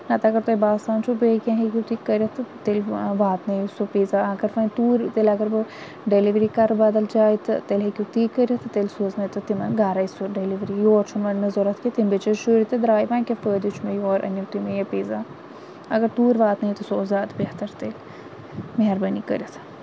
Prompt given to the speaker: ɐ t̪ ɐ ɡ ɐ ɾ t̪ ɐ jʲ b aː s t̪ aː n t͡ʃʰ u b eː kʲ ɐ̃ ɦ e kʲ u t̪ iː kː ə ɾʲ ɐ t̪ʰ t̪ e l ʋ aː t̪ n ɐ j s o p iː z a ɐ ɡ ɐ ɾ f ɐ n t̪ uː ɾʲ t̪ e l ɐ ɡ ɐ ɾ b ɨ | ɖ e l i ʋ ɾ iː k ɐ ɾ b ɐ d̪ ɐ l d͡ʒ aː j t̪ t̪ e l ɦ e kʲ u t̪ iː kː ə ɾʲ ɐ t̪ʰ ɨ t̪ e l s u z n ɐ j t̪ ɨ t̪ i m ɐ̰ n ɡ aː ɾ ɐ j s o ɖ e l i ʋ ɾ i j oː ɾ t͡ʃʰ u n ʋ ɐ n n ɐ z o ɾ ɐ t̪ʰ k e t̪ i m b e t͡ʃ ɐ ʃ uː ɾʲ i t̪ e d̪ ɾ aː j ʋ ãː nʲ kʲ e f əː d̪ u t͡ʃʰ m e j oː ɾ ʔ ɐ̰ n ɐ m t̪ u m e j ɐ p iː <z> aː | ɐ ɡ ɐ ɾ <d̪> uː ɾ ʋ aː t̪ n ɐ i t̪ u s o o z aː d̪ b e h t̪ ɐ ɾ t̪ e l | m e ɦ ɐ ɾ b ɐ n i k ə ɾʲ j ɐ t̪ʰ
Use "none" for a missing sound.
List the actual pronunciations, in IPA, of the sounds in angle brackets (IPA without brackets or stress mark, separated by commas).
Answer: z, t̪